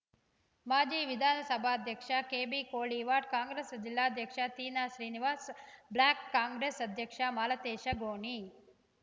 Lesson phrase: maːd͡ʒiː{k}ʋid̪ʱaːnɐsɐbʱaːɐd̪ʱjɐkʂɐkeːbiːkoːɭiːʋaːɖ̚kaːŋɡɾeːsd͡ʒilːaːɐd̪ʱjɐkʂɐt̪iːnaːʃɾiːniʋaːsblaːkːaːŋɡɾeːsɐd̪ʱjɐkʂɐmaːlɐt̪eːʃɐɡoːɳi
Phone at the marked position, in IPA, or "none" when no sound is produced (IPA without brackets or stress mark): none